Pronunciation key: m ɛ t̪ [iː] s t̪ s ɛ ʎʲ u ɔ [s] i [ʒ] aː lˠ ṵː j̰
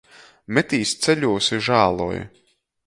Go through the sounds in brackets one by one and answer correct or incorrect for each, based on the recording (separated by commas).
correct, correct, correct